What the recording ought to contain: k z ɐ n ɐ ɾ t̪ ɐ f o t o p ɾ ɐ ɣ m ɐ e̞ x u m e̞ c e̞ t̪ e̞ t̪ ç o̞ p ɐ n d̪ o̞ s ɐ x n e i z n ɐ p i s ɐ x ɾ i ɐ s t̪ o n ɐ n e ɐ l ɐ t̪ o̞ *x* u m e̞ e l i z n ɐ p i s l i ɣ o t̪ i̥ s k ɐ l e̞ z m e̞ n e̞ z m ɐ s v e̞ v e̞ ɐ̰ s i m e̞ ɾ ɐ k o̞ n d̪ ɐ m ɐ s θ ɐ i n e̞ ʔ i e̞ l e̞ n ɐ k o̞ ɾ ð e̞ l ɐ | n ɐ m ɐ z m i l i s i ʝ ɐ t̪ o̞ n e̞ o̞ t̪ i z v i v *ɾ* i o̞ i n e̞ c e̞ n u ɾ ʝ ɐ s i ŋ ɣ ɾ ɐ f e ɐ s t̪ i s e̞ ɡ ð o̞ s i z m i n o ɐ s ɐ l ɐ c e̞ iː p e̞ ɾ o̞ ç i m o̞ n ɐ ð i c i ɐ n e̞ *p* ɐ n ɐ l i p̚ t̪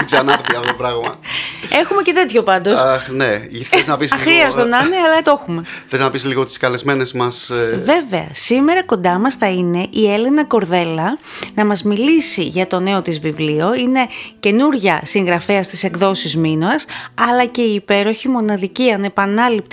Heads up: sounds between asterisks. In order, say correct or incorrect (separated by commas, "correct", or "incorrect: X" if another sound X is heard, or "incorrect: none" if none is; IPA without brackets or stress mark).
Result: correct, incorrect: l, correct